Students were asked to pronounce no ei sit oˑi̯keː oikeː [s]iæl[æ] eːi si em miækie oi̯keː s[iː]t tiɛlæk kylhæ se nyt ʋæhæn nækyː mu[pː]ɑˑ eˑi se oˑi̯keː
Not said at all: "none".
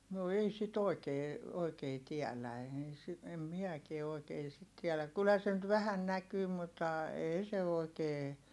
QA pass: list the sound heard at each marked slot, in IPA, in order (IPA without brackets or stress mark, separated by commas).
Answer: t, æ, i, tː